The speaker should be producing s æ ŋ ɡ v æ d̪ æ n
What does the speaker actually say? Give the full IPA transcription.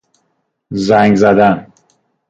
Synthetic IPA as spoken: z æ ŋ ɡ z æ d̪ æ n